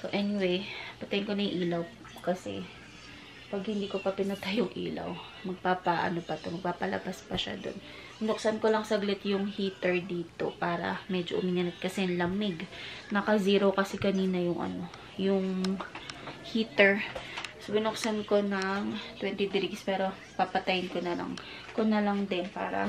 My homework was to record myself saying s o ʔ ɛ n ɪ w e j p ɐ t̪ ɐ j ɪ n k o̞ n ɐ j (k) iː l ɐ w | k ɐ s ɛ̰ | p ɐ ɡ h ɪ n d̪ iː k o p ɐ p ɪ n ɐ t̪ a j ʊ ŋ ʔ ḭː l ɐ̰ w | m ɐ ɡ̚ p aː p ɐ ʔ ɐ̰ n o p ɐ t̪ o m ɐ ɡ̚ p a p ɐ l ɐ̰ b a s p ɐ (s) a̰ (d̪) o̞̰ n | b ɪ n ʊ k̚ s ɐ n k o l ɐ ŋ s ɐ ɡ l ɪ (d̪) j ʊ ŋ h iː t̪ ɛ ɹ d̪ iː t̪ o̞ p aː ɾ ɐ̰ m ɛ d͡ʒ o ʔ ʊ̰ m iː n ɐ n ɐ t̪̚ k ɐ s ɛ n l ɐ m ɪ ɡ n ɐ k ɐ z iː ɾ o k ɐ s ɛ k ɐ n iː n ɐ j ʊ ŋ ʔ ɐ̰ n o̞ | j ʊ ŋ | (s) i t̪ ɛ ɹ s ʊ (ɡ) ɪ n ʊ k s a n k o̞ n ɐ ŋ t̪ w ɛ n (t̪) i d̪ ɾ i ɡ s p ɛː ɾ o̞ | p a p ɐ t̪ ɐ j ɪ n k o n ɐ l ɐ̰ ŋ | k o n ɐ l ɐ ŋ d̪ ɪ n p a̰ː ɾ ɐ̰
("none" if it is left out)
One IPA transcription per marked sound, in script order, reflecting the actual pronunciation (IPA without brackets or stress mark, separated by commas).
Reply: ʔ, ʃ, d̪, t̪, h, b, t̪